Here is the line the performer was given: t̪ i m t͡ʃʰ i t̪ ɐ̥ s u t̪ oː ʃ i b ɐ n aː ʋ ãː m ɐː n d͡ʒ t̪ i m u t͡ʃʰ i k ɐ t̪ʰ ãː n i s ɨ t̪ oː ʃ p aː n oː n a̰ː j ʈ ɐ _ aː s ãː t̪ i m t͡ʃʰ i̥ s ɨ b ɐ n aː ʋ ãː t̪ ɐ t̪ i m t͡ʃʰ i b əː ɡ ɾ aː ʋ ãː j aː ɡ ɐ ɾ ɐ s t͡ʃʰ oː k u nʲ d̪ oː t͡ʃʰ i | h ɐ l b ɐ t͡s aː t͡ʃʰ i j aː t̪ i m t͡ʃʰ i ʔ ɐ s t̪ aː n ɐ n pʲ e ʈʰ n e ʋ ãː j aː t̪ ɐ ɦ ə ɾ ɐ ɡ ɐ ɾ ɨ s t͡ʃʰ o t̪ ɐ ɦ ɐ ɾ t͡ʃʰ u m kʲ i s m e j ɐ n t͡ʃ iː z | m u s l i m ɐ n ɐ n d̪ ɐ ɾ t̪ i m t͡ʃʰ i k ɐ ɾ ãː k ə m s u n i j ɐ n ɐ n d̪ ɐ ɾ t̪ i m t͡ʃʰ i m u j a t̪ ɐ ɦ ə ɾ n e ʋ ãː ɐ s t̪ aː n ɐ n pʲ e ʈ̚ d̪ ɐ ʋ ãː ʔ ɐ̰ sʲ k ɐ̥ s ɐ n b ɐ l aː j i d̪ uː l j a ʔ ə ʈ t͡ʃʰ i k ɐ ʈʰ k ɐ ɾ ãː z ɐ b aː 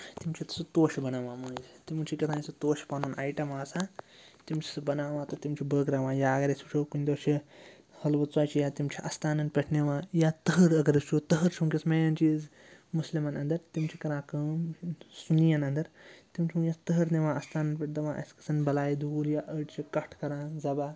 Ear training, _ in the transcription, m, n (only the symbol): m